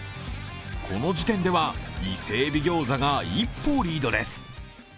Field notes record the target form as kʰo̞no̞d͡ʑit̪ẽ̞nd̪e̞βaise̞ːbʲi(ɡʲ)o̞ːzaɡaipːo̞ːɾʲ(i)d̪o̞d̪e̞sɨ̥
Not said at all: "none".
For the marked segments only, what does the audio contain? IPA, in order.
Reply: ɡʲ, iː

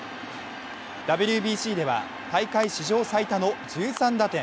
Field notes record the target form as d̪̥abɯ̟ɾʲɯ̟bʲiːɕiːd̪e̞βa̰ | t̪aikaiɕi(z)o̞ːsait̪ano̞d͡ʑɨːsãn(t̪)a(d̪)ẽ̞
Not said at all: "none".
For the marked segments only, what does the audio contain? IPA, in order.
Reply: ʑ, d̪, t̪

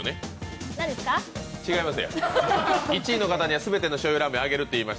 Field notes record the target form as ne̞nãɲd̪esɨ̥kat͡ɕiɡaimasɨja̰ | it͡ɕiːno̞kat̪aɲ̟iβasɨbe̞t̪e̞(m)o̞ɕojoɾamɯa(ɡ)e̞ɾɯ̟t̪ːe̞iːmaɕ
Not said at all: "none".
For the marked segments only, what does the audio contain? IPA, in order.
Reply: n, ɡ

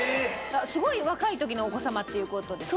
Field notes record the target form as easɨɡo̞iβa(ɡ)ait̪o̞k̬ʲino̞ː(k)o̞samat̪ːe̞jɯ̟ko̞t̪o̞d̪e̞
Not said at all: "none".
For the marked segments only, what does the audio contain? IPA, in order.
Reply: k, k

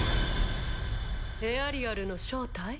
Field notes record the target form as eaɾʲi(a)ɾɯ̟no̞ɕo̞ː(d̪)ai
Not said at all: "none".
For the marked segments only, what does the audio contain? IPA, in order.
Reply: a, t̪

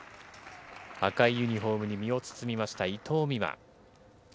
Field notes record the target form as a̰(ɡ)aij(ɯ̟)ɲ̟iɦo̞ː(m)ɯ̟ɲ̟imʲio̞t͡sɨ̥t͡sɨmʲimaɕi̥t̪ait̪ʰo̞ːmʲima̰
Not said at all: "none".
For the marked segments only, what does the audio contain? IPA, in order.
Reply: k, ɯ̟, m

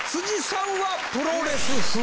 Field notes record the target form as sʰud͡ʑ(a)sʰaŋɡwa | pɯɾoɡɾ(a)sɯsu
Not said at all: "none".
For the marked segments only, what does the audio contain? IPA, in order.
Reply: i, e

